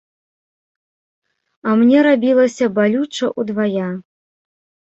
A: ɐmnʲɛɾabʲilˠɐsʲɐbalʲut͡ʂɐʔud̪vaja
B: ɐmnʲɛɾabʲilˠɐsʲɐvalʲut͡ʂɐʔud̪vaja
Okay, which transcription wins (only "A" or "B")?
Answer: A